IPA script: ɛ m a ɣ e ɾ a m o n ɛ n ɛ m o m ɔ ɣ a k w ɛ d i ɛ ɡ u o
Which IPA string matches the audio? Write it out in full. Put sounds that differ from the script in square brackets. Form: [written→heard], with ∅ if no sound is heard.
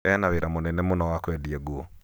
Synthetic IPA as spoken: ɛ [m→n] a [ɣ→w] e ɾ a m o n ɛ n ɛ m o [m→n] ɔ [ɣ→w] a k w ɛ d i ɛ ɡ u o